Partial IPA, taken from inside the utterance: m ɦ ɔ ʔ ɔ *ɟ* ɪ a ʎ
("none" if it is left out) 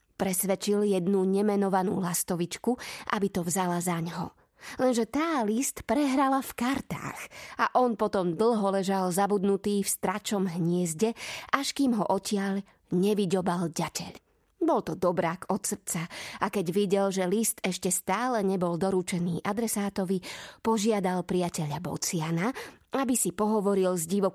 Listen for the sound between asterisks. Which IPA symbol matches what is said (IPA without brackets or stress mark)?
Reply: c